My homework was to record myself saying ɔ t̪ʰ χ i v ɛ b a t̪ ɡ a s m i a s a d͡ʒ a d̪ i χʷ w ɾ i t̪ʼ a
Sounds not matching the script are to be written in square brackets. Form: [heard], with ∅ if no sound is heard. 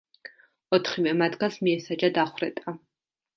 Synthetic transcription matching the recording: ɔ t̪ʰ χ i v ɛ [m] a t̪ ɡ a s m i [ɛ] s a d͡ʒ a d̪ [a] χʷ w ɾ [ɛ] t̪ʼ a